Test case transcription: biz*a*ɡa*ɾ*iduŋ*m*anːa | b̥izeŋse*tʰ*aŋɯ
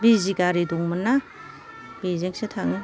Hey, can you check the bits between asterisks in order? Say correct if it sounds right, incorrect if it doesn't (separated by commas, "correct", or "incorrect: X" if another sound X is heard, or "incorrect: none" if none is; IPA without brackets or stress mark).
incorrect: i, correct, correct, correct